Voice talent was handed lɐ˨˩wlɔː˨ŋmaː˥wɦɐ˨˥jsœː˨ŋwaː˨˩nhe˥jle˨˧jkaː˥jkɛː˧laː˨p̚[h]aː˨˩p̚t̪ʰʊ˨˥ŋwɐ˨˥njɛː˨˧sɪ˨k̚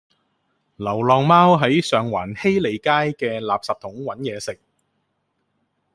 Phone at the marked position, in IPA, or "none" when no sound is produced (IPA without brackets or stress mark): s